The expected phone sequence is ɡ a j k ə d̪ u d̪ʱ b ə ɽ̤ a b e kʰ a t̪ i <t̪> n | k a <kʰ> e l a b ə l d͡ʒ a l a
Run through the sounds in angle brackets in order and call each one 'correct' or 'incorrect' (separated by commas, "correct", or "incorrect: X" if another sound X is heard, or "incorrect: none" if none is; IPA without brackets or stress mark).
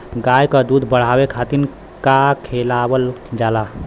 incorrect: none, correct